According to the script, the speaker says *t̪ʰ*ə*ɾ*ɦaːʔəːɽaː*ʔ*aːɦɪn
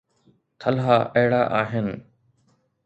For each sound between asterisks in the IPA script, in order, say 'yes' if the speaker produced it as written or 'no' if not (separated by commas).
yes, no, yes